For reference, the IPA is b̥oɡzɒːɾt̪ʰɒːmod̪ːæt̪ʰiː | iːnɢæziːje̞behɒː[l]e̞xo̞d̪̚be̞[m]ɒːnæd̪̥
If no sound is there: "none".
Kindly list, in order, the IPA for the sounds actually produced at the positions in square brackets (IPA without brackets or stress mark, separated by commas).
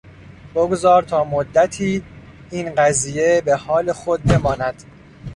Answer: l, m